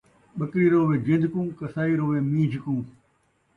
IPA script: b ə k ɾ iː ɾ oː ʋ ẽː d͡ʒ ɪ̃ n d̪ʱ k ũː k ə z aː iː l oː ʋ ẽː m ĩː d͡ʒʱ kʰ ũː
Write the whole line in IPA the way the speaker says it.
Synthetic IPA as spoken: ɓ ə k ɾ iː ɾ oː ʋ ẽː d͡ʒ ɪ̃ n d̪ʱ k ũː k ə s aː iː ɾ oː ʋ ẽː m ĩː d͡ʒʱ k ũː